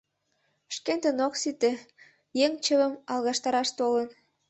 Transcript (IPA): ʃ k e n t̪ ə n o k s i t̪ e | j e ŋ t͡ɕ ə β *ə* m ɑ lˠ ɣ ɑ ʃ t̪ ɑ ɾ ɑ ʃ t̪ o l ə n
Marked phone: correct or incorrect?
correct